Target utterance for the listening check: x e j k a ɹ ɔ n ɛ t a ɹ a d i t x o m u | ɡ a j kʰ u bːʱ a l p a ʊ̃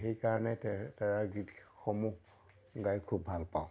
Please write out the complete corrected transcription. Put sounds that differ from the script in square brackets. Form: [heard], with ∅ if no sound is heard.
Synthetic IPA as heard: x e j k a ɹ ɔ n ɛ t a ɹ a [ɡ] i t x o m u | ɡ a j kʰ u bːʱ a l p a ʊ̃